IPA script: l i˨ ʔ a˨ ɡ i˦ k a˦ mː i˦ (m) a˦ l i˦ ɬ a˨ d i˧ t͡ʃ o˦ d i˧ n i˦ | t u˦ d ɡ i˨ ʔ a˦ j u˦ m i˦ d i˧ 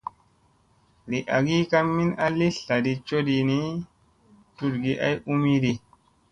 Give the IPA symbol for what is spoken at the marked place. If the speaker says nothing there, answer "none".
n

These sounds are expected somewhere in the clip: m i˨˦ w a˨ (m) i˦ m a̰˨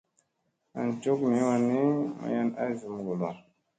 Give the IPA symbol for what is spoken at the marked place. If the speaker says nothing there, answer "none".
n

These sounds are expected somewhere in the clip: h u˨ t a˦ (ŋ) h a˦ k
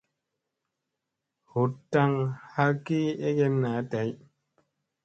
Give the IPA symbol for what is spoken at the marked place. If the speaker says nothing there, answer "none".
ŋ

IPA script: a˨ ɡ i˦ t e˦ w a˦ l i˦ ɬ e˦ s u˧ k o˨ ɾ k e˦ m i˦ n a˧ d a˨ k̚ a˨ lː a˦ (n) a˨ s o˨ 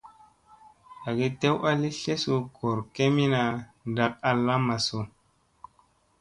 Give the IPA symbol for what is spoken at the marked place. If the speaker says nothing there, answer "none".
m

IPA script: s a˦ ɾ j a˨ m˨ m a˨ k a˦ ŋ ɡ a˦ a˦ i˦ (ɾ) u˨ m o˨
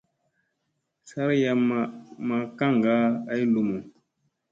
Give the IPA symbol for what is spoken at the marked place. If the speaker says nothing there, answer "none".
l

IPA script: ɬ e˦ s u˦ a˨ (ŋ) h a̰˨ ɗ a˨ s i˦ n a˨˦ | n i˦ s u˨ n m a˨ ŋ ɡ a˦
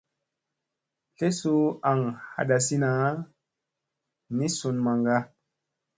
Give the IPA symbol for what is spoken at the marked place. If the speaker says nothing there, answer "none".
ŋ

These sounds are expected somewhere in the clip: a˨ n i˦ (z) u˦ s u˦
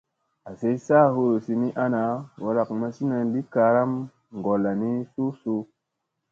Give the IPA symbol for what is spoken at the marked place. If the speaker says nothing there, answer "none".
s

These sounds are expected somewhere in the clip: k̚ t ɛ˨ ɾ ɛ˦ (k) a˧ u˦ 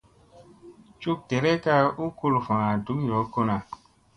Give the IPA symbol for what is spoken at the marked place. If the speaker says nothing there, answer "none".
k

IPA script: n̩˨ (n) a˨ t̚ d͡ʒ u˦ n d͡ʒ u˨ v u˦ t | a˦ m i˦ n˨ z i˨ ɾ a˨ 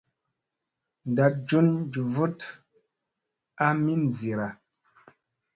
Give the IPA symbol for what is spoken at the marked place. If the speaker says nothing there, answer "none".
d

